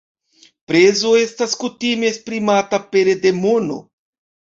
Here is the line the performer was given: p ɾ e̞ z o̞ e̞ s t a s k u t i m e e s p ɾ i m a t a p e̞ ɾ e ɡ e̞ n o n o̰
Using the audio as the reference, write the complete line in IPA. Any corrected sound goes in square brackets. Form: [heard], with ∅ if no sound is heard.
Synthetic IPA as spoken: p ɾ e̞ z o̞ e̞ s t a s k u t i m e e s p ɾ i m a t a p e̞ ɾ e [d] e̞ [m] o n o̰